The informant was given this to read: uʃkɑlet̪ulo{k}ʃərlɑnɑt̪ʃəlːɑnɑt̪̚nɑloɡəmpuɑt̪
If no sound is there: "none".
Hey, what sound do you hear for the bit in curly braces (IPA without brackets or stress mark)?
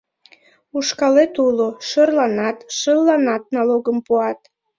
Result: none